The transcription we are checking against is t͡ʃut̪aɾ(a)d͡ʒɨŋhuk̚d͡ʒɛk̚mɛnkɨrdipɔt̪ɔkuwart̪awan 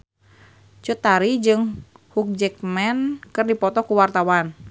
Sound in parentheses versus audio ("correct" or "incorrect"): incorrect